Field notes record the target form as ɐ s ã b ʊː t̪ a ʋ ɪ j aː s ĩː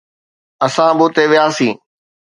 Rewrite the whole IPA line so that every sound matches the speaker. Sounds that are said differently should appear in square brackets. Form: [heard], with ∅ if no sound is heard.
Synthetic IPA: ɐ s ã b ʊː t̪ [e] ʋ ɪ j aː s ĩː

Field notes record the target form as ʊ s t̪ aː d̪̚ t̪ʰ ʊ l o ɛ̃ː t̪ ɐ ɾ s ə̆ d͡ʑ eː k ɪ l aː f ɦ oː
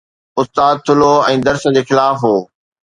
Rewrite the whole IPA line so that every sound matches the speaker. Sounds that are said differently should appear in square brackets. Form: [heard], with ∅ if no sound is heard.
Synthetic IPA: ʊ s t̪ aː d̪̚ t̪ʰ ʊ l o ɛ̃ː [d̪] ɐ ɾ s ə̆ d͡ʑ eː [x] ɪ l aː f ɦ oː

